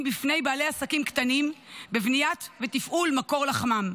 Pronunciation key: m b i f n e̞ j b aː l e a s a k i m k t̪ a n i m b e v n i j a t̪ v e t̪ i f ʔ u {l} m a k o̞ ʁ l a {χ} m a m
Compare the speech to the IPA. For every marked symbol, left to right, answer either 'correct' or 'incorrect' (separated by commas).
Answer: correct, correct